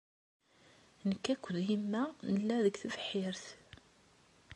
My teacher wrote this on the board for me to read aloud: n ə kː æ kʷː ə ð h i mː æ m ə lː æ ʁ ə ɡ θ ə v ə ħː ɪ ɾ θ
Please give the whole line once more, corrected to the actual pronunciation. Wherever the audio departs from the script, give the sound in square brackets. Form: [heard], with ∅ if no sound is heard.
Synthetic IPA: n ə kː æ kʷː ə ð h i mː æ [n] ə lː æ [ð] ə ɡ θ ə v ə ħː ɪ ɾ θ